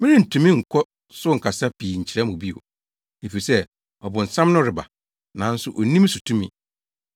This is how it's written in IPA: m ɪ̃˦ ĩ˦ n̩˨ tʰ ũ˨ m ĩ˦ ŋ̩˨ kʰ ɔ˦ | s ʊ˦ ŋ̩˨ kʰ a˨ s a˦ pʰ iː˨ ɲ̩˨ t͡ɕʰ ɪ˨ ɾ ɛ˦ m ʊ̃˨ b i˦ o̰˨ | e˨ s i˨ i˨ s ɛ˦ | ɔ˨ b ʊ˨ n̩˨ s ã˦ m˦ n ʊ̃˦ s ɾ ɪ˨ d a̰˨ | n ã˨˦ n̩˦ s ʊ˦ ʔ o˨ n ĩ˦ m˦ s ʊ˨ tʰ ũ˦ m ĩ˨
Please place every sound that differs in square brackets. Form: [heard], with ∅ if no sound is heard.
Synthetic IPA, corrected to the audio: m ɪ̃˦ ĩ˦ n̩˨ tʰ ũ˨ m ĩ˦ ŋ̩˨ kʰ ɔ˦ | s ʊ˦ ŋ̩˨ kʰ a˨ s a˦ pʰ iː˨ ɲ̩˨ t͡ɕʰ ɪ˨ ɾ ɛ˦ m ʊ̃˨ b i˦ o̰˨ | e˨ [f] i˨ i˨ s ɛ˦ | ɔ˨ b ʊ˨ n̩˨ s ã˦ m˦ n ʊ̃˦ [∅] ɾ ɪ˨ [b] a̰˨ | n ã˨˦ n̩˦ s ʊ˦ ʔ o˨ n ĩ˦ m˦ s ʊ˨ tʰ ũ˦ m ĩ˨